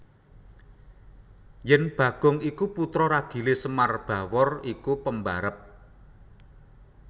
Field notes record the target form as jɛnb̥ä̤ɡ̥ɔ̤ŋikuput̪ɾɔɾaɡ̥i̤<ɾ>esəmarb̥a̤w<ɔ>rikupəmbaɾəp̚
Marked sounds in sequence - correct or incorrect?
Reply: incorrect: l, correct

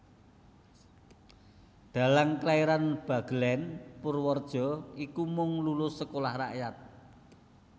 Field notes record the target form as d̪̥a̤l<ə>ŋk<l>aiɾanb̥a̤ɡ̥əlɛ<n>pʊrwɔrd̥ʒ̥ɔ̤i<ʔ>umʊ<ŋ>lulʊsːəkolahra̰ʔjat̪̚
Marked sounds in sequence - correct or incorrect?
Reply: incorrect: a, correct, correct, incorrect: k, correct

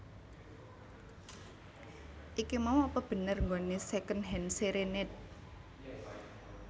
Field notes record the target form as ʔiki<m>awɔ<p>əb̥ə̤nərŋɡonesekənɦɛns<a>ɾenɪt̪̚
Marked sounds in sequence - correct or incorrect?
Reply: correct, correct, incorrect: e

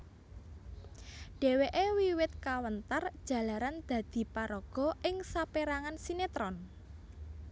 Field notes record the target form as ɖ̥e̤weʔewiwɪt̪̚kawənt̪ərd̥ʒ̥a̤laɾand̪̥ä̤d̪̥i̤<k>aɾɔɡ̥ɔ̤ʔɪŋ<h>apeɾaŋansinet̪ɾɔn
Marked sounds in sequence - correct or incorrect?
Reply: incorrect: p, incorrect: s

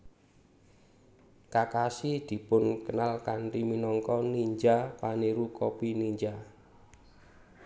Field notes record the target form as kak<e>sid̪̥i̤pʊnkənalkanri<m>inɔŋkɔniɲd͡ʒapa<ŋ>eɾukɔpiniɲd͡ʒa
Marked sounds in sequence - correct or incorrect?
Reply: incorrect: a, correct, incorrect: n

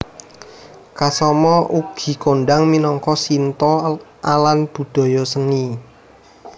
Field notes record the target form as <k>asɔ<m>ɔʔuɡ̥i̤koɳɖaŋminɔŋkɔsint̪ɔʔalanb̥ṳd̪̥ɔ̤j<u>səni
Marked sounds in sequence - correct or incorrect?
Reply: correct, correct, incorrect: ɔ

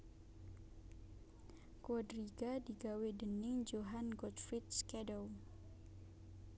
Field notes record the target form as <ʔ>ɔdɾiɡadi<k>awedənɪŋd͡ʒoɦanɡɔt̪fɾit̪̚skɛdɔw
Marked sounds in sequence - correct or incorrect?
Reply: incorrect: k, incorrect: ɡ

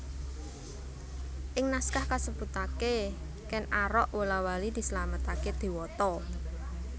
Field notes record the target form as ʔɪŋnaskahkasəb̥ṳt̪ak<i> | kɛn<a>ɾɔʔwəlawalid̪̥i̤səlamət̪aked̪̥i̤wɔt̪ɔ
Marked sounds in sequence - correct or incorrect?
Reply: incorrect: e, correct

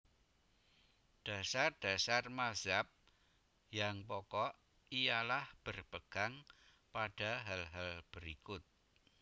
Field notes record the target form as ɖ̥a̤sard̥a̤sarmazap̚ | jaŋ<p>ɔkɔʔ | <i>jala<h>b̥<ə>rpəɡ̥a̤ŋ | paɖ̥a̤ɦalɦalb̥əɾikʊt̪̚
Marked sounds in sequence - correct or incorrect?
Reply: correct, correct, correct, correct

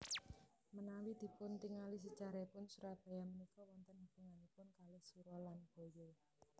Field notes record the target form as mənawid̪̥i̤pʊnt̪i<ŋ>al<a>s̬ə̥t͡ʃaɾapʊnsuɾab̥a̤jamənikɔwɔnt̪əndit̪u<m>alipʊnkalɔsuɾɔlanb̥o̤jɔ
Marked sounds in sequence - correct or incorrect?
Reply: correct, incorrect: i, incorrect: ŋ

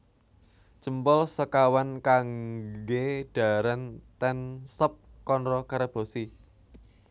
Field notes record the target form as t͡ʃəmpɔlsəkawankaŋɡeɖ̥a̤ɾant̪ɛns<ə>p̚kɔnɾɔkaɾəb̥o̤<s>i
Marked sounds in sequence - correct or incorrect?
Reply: correct, correct

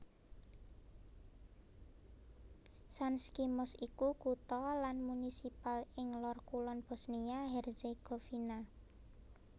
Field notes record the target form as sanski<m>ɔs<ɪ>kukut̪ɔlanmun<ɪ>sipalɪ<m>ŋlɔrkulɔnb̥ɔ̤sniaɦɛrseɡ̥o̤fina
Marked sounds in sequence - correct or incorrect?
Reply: correct, incorrect: i, incorrect: i, incorrect: none

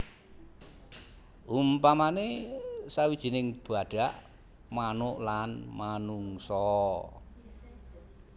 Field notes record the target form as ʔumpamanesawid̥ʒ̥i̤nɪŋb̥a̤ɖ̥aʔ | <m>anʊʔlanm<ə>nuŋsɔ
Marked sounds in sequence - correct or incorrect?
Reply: correct, incorrect: a

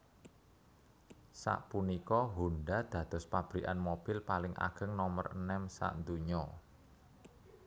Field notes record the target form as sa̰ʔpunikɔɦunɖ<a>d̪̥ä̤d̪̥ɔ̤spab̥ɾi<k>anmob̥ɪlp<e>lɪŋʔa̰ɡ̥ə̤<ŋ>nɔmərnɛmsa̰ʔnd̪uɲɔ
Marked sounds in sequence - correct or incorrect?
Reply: correct, incorrect: ʔ, incorrect: a, correct

